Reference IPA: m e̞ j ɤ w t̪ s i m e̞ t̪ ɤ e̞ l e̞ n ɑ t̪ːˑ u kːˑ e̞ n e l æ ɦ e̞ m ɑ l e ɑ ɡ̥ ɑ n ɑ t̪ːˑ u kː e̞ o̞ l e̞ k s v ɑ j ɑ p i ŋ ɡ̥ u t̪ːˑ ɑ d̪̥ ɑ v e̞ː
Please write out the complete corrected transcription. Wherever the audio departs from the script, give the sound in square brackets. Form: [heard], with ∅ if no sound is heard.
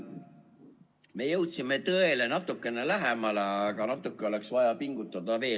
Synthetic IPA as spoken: m e̞ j ɤ w t̪ s i m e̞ t̪ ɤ e̞ l e̞ n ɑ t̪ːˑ u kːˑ e̞ n e l æ ɦ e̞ m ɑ l e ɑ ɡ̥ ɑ n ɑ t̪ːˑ u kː e̞ o̞ l e̞ k s v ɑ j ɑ p i ŋ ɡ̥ u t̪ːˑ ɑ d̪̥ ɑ v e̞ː